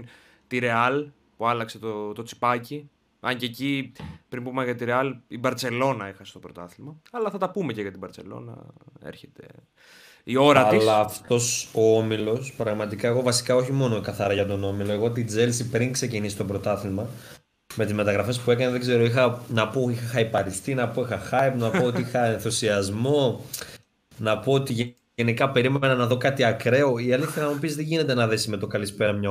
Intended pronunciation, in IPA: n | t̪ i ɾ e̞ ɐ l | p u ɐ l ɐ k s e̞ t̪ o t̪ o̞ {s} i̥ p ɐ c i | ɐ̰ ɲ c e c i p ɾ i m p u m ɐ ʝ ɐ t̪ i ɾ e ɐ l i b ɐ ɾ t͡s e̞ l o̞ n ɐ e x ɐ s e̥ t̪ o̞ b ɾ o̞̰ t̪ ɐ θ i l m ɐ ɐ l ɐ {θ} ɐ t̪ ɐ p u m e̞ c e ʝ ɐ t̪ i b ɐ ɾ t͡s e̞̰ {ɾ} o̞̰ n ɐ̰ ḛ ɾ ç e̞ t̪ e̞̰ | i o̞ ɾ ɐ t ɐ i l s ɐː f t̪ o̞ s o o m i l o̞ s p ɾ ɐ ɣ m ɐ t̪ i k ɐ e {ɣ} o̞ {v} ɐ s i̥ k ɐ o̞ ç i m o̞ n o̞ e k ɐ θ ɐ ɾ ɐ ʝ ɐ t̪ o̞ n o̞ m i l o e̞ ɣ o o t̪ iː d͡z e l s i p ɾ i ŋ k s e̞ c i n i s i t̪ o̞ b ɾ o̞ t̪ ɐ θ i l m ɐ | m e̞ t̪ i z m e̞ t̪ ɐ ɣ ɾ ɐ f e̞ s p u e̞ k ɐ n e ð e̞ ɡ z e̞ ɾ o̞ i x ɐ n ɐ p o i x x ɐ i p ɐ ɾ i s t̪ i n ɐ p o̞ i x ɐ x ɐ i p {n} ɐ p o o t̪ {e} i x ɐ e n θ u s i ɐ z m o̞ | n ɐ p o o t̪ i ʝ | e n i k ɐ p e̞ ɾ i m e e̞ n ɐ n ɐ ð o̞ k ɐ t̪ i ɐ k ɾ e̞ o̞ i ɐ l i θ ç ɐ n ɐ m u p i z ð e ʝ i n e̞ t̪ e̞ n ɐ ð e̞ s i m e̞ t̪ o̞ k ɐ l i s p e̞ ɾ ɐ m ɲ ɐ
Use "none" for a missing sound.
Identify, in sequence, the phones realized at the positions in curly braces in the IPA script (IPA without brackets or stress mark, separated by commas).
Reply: t͡s, θ, l, ɣ, v, n, i